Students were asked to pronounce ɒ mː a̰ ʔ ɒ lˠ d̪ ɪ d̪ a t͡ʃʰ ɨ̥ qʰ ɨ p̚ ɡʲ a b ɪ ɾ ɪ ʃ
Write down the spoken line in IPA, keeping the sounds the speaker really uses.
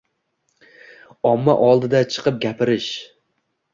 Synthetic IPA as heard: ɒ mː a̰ ʔ ɒ lˠ d̪ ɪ d̪ a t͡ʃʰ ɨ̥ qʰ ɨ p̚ ɡʲ a p ɪ ɾ ɪ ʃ